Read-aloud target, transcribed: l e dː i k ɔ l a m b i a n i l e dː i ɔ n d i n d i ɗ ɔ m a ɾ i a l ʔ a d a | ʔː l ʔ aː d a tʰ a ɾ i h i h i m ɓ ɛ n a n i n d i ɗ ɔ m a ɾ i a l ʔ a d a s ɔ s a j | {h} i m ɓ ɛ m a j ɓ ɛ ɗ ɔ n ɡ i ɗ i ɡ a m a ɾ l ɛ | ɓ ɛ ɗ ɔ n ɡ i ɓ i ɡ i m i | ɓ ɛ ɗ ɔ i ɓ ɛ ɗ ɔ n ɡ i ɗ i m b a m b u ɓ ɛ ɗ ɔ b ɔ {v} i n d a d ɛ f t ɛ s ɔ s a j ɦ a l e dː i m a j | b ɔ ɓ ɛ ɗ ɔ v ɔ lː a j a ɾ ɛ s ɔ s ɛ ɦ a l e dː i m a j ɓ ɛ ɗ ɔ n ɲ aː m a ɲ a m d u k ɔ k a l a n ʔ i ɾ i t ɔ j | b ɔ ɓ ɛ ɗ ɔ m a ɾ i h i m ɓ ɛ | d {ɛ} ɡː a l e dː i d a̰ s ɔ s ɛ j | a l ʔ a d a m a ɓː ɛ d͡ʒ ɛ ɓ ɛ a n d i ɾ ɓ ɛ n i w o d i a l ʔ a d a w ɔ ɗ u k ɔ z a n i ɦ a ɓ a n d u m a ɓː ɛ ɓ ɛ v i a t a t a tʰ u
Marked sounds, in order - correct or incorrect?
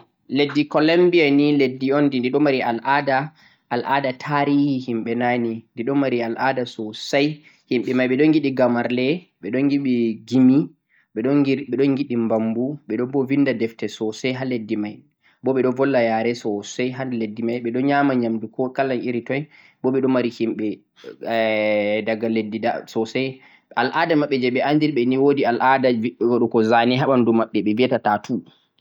correct, correct, incorrect

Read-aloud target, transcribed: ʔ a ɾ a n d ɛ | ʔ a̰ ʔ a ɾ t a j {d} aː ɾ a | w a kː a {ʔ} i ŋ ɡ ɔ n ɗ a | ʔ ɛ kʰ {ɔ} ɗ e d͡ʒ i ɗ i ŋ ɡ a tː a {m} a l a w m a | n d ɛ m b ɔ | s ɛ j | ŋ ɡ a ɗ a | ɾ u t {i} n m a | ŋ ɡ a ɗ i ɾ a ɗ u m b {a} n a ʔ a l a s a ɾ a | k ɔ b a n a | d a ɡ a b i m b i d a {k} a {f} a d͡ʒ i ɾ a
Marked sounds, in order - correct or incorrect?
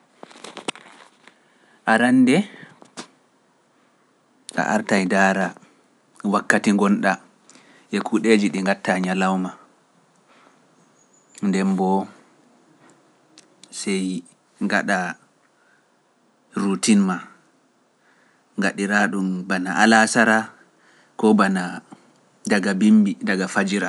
correct, incorrect, incorrect, incorrect, correct, correct, incorrect, correct

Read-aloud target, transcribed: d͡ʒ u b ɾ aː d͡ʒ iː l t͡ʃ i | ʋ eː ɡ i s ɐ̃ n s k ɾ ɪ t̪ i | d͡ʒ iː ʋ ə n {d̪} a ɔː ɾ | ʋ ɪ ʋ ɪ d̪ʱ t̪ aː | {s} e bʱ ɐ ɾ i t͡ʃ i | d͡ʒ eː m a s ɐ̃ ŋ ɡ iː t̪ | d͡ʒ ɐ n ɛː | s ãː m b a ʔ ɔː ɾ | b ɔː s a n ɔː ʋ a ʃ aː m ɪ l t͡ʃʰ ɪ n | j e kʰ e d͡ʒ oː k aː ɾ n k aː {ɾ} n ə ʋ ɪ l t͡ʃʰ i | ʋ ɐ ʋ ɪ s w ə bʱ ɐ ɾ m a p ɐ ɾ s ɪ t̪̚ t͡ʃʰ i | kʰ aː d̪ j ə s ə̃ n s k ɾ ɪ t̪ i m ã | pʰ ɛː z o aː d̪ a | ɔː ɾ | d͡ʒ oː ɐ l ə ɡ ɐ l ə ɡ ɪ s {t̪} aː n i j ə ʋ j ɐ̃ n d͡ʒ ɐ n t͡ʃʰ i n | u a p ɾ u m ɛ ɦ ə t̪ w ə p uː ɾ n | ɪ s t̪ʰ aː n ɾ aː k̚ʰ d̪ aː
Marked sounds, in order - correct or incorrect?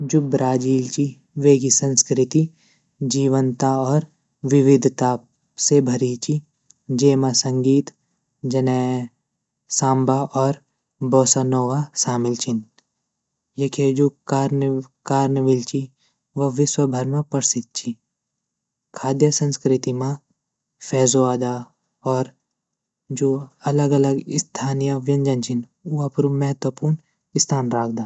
incorrect, correct, correct, incorrect

